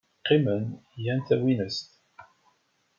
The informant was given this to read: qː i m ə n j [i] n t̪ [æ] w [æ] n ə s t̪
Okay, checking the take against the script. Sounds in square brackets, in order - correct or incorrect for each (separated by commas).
incorrect, correct, incorrect